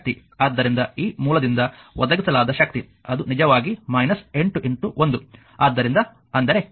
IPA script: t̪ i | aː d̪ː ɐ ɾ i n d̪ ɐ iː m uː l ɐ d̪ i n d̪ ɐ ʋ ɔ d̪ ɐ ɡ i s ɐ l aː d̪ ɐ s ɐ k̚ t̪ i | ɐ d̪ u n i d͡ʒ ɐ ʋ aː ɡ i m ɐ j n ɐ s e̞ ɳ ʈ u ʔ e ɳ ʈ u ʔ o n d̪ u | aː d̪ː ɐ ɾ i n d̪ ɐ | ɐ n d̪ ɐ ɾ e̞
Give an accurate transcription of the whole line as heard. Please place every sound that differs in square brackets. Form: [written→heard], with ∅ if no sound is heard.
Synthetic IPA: t̪ i | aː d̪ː ɐ ɾ i n d̪ ɐ iː m uː l ɐ d̪ i n d̪ ɐ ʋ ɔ d̪ ɐ ɡ i s ɐ l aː d̪ ɐ [s→ʃ] ɐ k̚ t̪ i | ɐ d̪ u n i d͡ʒ ɐ ʋ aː ɡ i m ɐ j n ɐ s e̞ ɳ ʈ u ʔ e ɳ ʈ u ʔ o n d̪ u | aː d̪ː ɐ ɾ i n d̪ ɐ | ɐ n d̪ ɐ ɾ e̞